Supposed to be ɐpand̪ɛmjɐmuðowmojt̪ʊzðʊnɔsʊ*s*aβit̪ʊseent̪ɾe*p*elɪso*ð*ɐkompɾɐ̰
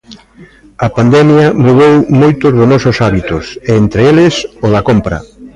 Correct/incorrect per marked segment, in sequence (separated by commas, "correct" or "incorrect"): correct, incorrect, correct